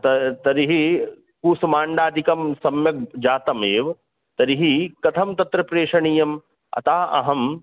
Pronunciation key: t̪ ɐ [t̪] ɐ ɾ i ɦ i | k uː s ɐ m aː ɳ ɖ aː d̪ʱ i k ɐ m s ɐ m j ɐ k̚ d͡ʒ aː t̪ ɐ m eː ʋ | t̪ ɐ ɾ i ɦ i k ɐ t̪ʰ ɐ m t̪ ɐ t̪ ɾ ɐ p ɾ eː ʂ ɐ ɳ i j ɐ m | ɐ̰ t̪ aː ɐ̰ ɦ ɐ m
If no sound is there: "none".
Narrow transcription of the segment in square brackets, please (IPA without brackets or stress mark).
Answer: t̪